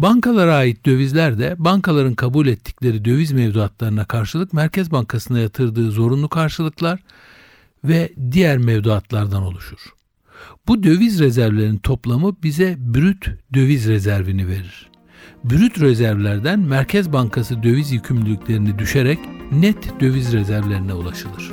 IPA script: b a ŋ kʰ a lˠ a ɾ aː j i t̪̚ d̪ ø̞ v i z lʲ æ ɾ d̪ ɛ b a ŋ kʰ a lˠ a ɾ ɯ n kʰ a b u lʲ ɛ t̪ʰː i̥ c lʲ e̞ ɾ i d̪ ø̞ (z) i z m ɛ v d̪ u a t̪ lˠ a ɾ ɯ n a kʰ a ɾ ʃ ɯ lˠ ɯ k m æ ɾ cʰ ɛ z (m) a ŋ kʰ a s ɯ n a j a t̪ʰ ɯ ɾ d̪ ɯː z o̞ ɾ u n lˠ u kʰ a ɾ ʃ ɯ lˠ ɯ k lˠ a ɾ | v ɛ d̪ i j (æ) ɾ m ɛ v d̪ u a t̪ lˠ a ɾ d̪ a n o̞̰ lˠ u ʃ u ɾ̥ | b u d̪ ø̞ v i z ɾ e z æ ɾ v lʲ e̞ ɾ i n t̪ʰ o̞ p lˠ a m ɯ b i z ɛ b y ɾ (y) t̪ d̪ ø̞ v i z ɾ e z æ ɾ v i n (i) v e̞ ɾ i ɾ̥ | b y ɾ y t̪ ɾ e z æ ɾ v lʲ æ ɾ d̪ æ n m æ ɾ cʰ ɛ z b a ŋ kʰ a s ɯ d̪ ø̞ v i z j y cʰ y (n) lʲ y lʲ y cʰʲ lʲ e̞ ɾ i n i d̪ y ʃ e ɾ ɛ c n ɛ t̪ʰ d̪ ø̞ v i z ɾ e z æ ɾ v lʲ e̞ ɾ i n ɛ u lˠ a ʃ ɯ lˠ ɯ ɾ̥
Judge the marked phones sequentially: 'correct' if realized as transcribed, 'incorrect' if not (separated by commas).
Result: incorrect, incorrect, correct, correct, correct, incorrect